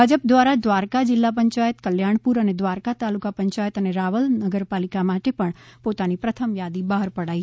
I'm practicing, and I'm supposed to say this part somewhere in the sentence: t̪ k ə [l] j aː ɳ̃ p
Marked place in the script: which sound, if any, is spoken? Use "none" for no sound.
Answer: l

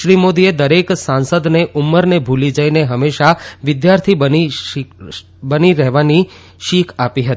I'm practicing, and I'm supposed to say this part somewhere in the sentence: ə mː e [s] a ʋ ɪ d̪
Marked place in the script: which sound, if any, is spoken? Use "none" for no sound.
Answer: ʃ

